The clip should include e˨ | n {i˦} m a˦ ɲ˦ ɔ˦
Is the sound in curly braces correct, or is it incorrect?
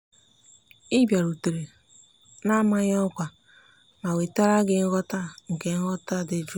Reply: incorrect